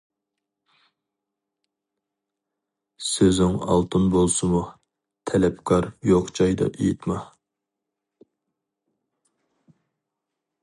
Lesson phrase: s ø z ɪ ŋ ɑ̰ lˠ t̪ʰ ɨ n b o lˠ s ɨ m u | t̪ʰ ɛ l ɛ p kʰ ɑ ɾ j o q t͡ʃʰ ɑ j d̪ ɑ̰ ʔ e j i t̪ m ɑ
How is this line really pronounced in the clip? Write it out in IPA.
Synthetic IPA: s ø z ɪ ŋ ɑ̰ lˠ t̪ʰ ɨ n b o lˠ s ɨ m u | t̪ʰ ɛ l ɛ p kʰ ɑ ɾ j o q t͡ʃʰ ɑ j d̪ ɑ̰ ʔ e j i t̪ m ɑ